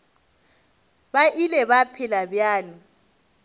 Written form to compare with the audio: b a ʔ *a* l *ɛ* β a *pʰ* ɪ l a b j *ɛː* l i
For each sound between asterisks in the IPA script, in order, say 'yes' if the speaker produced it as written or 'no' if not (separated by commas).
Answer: no, yes, yes, no